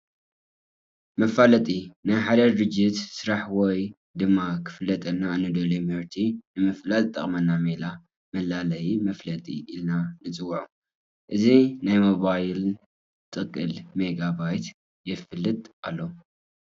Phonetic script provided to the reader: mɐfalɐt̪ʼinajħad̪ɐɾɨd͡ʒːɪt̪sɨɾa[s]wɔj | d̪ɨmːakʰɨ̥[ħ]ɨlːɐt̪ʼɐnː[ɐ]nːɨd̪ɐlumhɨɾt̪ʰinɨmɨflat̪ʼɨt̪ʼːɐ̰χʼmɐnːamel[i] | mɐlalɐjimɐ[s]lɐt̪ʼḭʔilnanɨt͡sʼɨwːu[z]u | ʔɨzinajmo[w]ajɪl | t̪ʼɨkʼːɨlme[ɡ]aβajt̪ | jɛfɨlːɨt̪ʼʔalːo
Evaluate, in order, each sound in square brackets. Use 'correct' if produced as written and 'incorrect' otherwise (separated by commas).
incorrect, incorrect, incorrect, incorrect, incorrect, incorrect, incorrect, correct